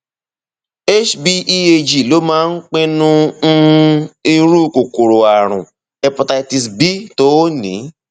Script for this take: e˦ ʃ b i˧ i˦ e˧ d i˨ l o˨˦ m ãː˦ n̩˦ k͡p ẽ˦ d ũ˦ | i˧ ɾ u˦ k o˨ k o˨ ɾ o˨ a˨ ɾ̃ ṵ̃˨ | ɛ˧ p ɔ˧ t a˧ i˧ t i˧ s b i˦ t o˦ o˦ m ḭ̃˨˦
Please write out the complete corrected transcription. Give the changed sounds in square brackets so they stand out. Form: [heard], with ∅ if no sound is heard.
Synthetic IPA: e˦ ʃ b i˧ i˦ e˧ [d͡ʒ] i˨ l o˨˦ m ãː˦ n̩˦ k͡p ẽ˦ [n] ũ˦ | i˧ ɾ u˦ k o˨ k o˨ ɾ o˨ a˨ ɾ̃ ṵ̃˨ | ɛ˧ p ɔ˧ t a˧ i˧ t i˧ s b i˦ t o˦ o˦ [n] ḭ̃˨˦